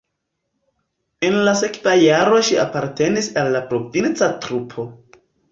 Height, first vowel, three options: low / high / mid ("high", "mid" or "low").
mid